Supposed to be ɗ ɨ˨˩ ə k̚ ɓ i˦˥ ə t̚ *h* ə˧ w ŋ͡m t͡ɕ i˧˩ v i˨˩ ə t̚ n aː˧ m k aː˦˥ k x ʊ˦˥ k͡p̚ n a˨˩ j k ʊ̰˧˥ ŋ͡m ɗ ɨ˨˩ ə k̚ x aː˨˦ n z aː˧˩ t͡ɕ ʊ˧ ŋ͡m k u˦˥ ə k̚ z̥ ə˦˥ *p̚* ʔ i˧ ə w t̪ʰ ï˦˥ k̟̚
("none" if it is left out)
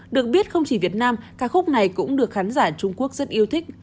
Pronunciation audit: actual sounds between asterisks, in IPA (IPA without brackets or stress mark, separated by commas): x, t̚